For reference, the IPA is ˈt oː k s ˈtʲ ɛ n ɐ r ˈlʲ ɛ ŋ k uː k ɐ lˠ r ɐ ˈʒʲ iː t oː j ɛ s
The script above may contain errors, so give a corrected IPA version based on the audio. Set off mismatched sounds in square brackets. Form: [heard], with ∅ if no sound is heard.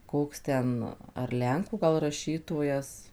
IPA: [ˈk] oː k s ˈtʲ ɛ n ɐ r ˈlʲ ɛ ŋ k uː [ɡ] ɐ lˠ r ɐ [ˈʃʲ] iː t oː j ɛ s